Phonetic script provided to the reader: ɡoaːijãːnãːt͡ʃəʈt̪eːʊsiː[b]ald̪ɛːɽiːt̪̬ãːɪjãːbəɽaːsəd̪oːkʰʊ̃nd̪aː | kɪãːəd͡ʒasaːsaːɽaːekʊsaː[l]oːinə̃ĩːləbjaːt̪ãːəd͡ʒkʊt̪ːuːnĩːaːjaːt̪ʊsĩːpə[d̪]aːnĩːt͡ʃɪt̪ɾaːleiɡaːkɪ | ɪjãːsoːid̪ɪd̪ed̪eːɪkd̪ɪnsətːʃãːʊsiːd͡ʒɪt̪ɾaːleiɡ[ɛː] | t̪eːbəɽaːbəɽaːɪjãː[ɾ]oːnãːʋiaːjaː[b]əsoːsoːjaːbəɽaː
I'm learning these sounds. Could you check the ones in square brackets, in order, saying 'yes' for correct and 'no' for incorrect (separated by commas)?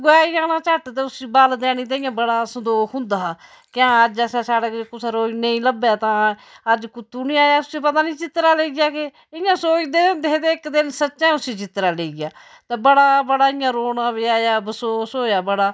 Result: yes, no, no, no, yes, yes